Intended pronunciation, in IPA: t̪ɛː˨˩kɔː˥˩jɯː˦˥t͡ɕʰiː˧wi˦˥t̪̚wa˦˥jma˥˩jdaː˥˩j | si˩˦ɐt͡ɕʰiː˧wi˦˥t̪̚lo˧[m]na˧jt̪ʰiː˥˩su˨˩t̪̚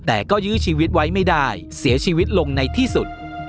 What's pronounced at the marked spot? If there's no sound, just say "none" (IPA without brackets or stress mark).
ŋ